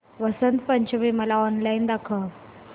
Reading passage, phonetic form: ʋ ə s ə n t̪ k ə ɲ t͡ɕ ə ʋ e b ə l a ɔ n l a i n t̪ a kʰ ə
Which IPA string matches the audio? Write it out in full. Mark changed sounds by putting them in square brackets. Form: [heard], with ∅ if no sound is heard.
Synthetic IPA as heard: ʋ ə s ə n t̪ [p] ə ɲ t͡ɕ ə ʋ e [m] ə l a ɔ n l a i n [d̪] a kʰ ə